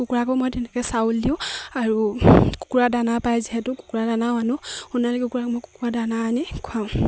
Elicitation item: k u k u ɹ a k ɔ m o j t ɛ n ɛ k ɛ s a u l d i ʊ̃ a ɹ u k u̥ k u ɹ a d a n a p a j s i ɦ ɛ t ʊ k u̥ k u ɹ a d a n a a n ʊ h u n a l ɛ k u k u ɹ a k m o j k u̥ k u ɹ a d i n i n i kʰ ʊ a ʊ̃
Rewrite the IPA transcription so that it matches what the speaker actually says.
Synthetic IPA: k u k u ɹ a k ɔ m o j t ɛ n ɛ k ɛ s a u l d i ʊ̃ a ɹ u k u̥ k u ɹ a d a n a p a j z i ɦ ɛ t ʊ k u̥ k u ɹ a d a n a a n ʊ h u n a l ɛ k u k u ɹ a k m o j k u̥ k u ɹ a d a n a n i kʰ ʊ a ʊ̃